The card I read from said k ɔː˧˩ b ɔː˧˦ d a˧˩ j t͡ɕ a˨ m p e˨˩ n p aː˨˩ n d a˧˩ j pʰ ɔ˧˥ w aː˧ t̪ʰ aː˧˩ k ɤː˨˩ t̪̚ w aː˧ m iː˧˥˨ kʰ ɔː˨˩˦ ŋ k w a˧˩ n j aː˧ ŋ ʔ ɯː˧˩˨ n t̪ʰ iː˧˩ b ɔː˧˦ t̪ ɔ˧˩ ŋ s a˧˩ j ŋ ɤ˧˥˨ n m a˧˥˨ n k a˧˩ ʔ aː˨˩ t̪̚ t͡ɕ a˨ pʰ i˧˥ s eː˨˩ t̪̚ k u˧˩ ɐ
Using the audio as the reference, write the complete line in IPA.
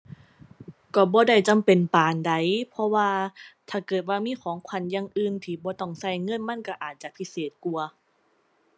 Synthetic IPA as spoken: k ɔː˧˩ b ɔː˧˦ d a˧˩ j t͡ɕ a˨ m p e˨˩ n p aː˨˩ n d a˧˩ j pʰ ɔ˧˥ w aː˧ t̪ʰ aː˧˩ k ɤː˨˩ t̪̚ w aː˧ m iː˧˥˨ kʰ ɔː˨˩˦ ŋ kʰ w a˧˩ n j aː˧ ŋ ʔ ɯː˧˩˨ n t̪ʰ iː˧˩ b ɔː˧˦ t̪ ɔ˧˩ ŋ s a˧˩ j ŋ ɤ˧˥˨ n m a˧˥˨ n k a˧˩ ʔ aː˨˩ t̪̚ t͡ɕ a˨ pʰ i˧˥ s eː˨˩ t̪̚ k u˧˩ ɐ